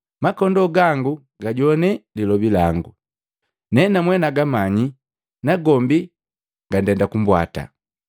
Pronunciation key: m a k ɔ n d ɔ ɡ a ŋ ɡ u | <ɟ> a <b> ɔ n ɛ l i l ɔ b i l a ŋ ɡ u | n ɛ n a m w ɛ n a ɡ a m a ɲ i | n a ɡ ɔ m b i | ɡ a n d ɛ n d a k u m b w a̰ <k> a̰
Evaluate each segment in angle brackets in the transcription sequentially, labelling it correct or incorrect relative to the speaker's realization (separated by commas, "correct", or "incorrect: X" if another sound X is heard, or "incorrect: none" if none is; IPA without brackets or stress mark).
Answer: incorrect: ɡ, incorrect: ɟ, incorrect: t